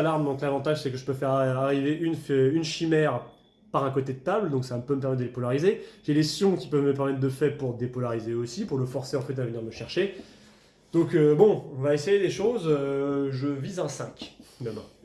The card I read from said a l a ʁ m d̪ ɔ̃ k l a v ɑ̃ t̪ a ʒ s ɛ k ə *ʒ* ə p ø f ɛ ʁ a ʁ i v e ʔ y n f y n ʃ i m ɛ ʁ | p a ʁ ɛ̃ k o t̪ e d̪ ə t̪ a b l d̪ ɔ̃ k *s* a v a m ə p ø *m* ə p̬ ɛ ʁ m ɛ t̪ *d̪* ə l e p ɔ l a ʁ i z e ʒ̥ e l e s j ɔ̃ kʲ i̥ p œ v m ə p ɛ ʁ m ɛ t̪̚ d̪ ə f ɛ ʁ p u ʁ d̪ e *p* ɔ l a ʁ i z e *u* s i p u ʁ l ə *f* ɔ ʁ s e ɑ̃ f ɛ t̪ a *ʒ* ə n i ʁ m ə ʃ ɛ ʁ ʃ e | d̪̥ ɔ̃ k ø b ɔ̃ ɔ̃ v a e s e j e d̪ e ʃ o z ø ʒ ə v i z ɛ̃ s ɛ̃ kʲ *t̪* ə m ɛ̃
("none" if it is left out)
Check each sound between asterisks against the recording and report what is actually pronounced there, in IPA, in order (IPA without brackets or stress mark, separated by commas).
ʒ, s, m, d̪, p, o, f, v, d̪